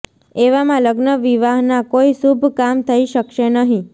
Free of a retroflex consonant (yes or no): yes